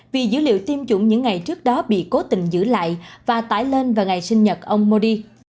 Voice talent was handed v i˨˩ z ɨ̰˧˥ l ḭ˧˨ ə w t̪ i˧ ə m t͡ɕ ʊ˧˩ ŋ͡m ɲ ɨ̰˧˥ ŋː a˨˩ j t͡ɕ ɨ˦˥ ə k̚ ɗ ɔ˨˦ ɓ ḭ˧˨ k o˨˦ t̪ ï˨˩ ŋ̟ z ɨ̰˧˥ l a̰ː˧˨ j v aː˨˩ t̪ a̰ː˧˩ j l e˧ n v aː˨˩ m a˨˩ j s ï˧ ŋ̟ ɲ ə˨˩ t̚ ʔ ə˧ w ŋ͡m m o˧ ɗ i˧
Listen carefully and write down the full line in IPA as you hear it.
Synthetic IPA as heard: v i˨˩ z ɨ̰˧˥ l ḭ˧˨ ə w t̪ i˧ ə m t͡ɕ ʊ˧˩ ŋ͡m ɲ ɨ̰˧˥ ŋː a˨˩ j t͡ɕ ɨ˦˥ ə k̚ ɗ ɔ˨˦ ɓ ḭ˧˨ k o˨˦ t̪ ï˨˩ ŋ̟ z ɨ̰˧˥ l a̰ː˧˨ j v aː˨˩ t̪ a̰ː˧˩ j l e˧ n v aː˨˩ ŋ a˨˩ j s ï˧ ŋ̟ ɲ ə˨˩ t̚ ʔ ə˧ w ŋ͡m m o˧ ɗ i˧